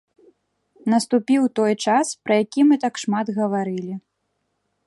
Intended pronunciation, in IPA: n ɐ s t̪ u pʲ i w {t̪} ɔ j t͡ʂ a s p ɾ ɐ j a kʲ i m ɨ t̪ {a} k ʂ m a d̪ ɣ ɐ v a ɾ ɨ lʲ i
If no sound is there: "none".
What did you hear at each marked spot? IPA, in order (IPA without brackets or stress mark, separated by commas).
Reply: t̪, a